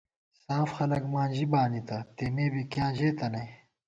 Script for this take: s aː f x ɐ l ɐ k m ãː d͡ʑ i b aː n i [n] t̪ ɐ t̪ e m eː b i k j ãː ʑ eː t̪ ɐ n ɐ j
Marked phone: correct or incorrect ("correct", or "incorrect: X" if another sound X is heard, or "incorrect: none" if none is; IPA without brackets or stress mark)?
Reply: incorrect: none